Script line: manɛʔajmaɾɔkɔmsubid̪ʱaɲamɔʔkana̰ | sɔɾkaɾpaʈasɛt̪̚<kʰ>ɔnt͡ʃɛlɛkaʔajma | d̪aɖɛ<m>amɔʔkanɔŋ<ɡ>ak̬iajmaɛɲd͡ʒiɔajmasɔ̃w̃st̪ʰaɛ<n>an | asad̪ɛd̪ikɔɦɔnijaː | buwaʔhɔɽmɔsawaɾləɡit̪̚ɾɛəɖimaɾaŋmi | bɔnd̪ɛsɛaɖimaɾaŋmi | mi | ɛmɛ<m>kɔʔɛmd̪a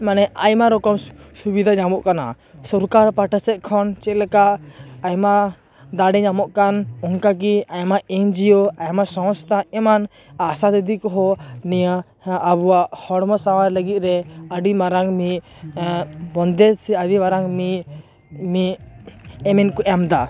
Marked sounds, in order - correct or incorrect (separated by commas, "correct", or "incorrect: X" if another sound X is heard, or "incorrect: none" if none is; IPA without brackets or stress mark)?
correct, incorrect: ɲ, incorrect: k, incorrect: m, incorrect: n